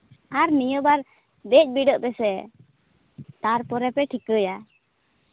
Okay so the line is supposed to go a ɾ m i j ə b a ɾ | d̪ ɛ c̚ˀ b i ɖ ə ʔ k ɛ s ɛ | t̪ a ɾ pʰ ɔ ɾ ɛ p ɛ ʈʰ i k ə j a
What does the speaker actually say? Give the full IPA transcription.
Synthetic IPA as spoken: a ɾ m i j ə b a ɾ | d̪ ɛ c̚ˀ b i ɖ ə ʔ p ɛ s ɛ | t̪ a ɾ p ɔ ɾ ɛ p ɛ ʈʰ i k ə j a